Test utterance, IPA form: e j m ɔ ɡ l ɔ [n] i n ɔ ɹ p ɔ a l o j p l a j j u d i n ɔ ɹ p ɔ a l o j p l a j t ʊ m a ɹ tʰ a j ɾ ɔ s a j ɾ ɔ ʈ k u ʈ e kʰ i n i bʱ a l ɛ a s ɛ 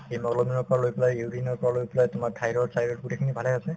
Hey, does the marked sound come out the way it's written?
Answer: no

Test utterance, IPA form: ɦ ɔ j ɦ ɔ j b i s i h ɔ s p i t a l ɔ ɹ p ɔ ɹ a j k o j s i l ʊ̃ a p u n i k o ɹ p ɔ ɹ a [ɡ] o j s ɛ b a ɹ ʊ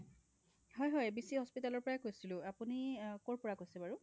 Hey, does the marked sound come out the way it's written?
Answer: no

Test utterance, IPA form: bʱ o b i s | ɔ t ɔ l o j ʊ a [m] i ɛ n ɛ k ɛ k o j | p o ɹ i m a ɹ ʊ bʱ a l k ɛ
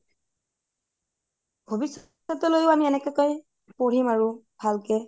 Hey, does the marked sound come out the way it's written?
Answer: yes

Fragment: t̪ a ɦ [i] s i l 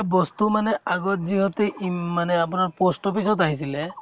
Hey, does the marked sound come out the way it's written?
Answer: yes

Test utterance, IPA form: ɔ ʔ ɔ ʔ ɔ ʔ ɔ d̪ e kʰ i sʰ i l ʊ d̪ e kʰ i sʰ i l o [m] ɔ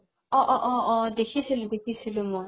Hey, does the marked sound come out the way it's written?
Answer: yes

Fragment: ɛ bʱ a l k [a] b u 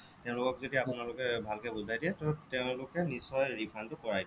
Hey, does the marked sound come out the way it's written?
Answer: no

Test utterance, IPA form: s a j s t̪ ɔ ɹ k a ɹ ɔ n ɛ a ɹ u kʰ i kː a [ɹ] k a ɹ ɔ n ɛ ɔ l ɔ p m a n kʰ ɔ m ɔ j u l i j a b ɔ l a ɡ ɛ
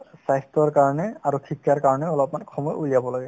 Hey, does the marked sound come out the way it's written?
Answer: yes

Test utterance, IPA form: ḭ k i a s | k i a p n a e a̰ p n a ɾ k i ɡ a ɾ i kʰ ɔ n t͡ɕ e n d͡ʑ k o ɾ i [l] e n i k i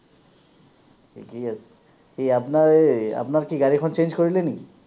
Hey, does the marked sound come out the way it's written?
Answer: yes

